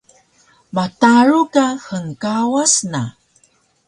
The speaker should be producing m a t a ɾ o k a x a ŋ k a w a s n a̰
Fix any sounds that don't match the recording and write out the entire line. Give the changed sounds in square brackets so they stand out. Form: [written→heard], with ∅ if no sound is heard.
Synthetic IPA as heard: m a t a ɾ [o→u] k a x [a→ə] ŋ k a w a s n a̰